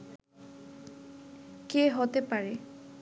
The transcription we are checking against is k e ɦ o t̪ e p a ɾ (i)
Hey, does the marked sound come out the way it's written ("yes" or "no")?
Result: no